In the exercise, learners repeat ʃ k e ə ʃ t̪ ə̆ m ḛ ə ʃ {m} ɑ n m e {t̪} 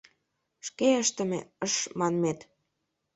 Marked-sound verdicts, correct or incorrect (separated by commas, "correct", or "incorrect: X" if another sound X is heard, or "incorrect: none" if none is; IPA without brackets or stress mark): correct, correct